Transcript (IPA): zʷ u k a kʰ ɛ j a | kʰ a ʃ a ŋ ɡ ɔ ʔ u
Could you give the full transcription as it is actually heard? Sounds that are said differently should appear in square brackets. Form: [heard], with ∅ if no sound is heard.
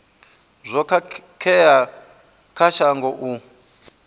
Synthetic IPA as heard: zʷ [ɔ] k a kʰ ɛ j a | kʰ a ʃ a ŋ ɡ ɔ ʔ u